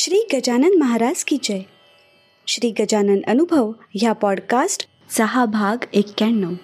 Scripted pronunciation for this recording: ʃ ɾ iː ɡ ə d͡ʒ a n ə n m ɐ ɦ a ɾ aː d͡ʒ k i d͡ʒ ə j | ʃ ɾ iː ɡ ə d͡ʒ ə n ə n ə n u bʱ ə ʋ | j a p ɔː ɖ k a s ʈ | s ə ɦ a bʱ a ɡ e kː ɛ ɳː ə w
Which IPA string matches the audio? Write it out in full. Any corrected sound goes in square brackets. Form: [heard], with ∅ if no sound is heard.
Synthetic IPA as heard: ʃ ɾ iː ɡ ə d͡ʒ a n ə n m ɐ ɦ a ɾ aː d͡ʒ k i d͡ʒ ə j | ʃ ɾ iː ɡ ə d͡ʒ [a] n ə n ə n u bʱ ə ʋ | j a p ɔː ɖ k a s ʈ | s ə ɦ a bʱ a ɡ e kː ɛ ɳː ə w